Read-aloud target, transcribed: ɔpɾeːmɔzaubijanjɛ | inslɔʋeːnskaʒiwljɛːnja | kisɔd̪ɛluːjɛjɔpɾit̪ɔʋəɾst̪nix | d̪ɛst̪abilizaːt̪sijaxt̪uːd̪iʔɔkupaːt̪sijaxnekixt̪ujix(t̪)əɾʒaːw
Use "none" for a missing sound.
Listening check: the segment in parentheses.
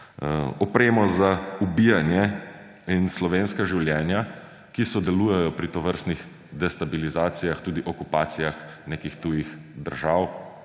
d̪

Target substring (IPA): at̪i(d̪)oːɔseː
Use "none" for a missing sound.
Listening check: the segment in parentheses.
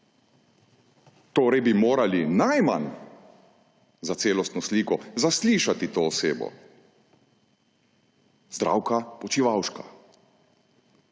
t̪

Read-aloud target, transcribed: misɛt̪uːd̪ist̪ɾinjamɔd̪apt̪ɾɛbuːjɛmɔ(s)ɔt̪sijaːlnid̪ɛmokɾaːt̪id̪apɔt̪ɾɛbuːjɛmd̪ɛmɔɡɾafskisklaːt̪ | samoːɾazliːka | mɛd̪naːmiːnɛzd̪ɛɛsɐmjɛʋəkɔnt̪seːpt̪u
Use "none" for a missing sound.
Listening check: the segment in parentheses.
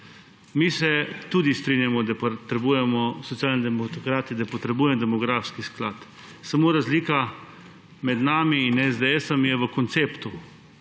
s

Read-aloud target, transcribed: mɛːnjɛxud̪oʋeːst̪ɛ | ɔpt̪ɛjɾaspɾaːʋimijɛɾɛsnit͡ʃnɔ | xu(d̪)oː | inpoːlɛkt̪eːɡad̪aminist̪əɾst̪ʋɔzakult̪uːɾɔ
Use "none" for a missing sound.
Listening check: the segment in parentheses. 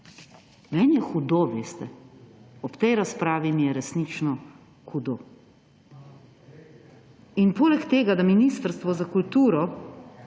d̪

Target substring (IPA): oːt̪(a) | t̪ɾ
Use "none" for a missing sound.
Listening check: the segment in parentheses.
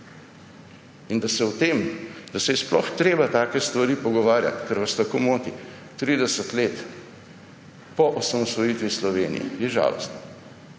i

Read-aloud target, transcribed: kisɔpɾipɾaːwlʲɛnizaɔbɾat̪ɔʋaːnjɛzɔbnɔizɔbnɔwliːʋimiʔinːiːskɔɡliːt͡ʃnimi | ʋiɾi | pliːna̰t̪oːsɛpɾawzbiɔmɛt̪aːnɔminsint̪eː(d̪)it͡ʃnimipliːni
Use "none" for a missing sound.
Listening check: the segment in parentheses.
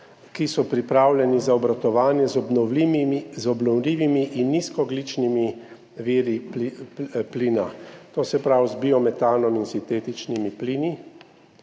t̪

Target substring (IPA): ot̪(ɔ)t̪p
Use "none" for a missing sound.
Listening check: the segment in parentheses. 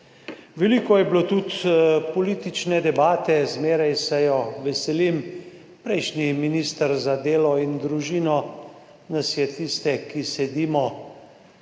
u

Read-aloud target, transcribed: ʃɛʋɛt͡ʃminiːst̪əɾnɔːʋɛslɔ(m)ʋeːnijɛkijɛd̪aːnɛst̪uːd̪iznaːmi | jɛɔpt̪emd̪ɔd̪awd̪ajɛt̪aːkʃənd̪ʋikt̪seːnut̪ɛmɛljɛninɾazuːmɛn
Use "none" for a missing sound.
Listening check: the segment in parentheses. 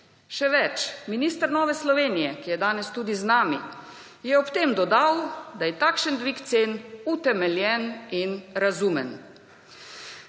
none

